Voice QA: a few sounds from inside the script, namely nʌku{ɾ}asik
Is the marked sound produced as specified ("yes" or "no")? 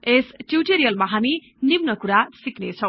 yes